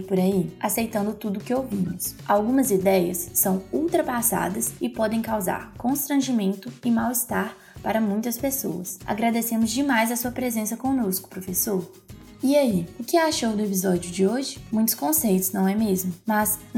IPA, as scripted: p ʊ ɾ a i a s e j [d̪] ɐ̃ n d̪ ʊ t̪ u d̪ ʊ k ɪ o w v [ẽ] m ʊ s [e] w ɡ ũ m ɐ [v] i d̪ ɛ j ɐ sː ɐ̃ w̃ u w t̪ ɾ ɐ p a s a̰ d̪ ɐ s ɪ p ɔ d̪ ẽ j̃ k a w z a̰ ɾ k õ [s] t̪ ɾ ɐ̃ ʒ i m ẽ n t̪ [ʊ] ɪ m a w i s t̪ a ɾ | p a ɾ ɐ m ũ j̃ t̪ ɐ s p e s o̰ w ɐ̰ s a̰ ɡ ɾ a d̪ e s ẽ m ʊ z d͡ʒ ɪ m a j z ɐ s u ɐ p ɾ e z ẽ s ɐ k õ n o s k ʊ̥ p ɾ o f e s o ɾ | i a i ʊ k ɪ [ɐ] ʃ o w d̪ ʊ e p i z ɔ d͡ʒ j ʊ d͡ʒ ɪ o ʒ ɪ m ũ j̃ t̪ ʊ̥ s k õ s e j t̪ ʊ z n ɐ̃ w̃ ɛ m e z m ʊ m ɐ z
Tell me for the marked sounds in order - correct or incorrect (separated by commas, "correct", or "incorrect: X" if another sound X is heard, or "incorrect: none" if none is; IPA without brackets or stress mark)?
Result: incorrect: t̪, incorrect: ĩ, incorrect: a, incorrect: z, correct, correct, incorrect: a